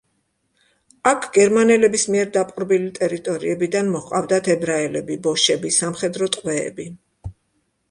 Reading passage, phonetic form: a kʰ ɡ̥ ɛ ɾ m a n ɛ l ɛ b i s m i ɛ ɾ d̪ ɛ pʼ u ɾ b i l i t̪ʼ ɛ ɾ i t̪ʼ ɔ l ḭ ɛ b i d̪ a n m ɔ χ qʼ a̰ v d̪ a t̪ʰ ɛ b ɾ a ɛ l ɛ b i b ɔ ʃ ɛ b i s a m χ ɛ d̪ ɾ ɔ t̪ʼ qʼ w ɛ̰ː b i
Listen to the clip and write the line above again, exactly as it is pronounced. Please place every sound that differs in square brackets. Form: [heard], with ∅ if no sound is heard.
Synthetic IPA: a kʰ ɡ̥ ɛ ɾ m a n ɛ l ɛ b i s m i ɛ ɾ d̪ [a] pʼ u ɾ b i l i t̪ʼ ɛ ɾ i t̪ʼ ɔ [ɾ] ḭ ɛ b i d̪ a n m ɔ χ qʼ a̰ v d̪ a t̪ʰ ɛ b ɾ a ɛ l ɛ b i b ɔ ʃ ɛ b i s a m χ ɛ d̪ ɾ ɔ t̪ʼ qʼ w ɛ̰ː b i